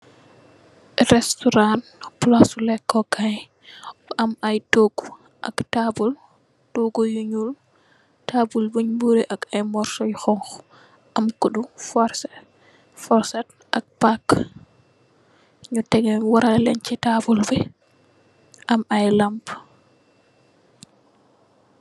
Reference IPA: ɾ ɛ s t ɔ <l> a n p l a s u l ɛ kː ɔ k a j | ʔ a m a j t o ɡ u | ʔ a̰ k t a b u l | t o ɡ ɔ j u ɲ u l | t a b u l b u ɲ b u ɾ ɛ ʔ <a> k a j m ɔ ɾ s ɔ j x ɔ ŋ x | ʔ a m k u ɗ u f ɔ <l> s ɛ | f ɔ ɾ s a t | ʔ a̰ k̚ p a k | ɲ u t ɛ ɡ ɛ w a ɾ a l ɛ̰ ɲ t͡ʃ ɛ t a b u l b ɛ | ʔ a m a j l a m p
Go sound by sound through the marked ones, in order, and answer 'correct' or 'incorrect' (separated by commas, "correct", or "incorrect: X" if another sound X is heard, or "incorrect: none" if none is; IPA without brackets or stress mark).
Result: incorrect: ɾ, correct, incorrect: ɾ